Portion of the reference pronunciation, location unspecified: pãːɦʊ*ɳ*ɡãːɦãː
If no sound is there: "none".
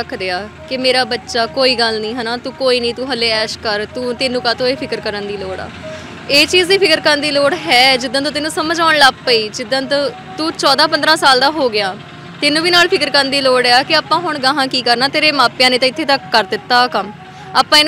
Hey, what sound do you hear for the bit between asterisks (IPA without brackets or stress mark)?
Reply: ɳ